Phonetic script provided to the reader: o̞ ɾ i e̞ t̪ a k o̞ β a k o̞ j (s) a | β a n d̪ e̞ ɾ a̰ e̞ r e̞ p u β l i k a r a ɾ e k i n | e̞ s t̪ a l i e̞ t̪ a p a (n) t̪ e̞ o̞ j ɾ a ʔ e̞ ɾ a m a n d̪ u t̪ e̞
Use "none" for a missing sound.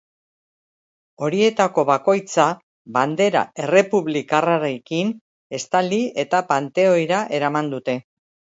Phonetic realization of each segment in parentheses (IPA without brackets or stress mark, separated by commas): t͡s, n